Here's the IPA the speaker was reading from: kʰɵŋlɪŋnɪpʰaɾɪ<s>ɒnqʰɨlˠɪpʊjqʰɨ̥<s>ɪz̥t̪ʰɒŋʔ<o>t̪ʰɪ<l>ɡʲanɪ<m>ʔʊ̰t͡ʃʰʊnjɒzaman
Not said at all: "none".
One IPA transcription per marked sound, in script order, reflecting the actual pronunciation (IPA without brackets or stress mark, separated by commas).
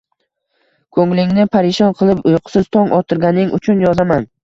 ʃ, s, ɒ, ɾ, ŋ